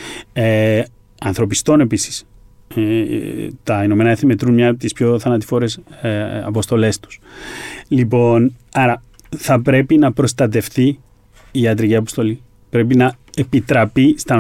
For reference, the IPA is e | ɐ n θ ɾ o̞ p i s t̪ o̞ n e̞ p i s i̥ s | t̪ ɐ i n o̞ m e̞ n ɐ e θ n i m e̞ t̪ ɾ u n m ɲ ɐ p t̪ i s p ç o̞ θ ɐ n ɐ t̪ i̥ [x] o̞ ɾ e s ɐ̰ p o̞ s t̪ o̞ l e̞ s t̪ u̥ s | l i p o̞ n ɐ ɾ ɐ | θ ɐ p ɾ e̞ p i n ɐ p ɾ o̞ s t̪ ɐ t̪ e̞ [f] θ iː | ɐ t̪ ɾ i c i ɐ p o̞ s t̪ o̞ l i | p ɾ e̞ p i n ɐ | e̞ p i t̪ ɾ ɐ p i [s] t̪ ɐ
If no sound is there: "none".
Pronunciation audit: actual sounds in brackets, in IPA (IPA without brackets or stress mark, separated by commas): f, f, s